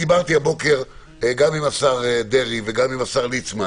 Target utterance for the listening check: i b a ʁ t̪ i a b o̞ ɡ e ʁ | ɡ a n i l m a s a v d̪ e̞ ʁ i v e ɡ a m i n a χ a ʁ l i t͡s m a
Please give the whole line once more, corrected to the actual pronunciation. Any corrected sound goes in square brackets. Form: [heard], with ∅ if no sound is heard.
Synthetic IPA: i b a ʁ t̪ i a b o̞ [k] e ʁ | ɡ a [m] i [∅] m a s a [ʁ] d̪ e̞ ʁ i v e ɡ a m i [m] a [s] a ʁ l i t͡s m a